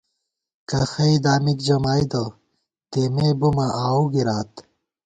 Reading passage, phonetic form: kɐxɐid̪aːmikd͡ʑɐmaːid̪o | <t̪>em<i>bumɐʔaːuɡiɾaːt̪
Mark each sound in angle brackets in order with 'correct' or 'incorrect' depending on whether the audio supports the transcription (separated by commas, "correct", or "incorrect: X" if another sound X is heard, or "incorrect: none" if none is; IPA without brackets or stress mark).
correct, incorrect: e